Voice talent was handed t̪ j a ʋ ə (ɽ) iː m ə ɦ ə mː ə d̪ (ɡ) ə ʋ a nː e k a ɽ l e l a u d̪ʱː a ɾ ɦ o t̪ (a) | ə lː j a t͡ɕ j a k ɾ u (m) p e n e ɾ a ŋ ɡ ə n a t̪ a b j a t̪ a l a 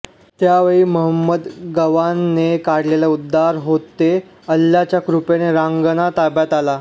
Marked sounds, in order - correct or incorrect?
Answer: incorrect, correct, incorrect, incorrect

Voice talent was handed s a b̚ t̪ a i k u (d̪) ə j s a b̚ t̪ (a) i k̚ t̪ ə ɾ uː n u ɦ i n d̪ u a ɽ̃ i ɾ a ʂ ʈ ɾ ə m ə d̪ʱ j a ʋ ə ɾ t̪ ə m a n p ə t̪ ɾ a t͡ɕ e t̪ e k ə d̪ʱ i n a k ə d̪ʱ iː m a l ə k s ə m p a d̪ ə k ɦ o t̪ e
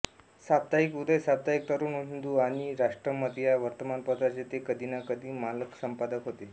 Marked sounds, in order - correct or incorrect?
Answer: correct, correct

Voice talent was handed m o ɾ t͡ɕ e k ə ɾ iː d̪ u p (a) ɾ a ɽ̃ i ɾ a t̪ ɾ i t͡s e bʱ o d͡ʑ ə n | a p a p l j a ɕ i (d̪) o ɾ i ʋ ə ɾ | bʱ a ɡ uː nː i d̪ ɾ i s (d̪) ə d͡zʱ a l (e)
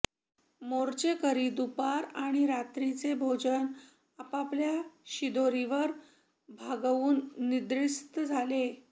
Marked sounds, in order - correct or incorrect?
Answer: correct, correct, incorrect, correct

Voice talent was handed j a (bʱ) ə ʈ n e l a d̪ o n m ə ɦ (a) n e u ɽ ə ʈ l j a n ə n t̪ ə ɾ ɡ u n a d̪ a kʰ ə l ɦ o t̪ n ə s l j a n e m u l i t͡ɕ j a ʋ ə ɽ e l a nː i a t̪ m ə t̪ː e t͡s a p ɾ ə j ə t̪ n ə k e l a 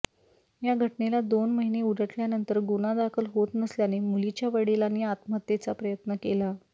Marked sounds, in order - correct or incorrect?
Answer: incorrect, incorrect

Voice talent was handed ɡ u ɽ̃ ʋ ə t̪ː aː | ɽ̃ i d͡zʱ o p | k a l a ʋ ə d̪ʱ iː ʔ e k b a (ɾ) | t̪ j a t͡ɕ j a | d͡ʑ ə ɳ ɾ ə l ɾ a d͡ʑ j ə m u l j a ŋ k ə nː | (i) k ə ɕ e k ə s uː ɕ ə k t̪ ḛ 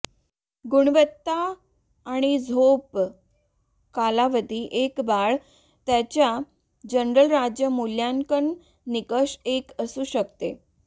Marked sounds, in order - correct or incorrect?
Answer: incorrect, correct

